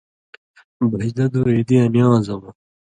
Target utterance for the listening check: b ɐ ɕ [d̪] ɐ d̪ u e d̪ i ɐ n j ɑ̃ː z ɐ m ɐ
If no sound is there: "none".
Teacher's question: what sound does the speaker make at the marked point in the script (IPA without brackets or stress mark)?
d̪